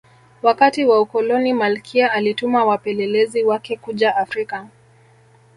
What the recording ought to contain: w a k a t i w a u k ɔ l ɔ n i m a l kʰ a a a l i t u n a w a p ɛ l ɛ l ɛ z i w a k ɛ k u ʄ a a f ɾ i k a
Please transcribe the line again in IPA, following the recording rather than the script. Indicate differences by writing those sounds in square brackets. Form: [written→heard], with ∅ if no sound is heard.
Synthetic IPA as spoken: w a k a t i w a u k ɔ l ɔ n i m a l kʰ [a→i] a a l i t u [n→m] a w a p ɛ l ɛ l ɛ z i w a k ɛ k u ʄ a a f ɾ i k a